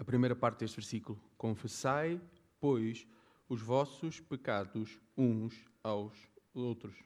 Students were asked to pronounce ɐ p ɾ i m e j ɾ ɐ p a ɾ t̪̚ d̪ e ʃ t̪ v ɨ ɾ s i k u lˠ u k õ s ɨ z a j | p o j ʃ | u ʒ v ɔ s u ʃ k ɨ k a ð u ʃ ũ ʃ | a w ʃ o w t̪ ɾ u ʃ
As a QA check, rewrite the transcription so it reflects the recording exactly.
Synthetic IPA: ɐ p ɾ i m e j ɾ ɐ p a ɾ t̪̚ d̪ e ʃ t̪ v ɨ ɾ s i k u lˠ u k õ f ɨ s a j | p o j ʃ | u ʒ v ɔ s u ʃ p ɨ k a ð u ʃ ũ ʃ | a w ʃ o w t̪ ɾ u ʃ